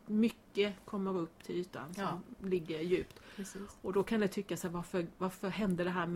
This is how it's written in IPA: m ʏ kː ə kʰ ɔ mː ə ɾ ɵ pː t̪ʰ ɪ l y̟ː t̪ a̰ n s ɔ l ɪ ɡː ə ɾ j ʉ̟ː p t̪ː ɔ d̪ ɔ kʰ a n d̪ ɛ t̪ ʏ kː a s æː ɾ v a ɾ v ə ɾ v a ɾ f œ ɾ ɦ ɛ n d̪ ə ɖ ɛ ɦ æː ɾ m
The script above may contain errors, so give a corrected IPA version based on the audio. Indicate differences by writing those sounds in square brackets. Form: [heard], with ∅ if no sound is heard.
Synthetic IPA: m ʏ kː ə kʰ ɔ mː ə ɾ ɵ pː t̪ʰ ɪ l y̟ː t̪ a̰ n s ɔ l ɪ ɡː ə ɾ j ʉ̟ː p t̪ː ɔ d̪ ɔ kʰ a n d̪ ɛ [t̪ʰ] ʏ kː a s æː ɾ v a ɾ [f] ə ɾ v a ɾ f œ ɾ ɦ ɛ n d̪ ə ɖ ɛ ɦ æː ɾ m